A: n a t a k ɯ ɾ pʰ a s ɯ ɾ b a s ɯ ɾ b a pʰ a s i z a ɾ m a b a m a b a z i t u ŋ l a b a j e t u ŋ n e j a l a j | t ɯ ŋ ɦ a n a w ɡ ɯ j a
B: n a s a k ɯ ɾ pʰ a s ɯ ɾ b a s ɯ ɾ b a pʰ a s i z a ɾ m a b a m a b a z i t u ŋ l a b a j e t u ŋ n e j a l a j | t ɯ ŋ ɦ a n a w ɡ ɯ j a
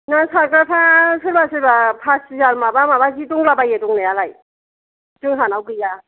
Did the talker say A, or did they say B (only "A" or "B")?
B